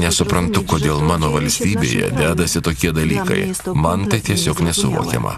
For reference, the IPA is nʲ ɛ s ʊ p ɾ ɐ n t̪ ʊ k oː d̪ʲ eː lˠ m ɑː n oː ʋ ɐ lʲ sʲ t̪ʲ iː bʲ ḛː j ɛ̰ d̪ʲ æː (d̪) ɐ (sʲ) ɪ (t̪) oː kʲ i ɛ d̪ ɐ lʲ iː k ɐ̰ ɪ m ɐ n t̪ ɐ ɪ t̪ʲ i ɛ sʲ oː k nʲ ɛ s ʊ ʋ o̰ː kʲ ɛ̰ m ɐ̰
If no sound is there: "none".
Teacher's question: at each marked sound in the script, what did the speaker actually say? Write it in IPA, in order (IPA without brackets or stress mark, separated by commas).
d̪, sʲ, t̪